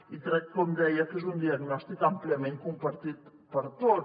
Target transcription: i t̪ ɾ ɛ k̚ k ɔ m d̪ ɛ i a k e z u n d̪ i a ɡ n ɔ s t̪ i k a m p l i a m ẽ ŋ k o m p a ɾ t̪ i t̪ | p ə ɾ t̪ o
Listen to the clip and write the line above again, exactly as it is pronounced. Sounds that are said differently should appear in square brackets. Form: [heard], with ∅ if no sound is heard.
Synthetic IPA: i t̪ ɾ ɛ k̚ k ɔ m d̪ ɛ [j] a k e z u n d̪ i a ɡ n ɔ s t̪ i k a m p l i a m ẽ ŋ k [u] m p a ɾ t̪ i t̪ | p ə ɾ t̪ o